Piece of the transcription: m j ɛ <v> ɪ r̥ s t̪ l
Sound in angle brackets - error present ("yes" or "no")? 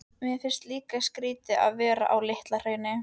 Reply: yes